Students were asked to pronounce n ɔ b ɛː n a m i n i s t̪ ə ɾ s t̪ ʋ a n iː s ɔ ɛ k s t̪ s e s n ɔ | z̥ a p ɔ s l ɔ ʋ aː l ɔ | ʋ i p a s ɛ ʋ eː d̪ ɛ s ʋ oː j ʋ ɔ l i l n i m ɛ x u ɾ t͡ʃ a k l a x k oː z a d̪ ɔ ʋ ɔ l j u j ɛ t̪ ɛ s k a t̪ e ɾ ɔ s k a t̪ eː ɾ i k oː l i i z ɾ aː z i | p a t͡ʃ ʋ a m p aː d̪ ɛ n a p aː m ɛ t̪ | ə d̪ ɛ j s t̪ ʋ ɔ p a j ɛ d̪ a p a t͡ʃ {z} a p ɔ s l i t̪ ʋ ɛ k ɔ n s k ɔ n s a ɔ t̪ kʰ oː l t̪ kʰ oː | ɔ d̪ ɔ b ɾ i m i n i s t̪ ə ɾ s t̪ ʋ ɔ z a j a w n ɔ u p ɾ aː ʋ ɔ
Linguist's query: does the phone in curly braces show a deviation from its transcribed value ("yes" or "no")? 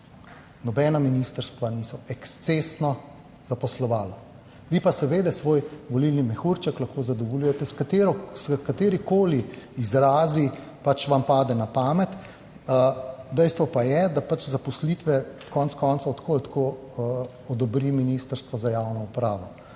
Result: no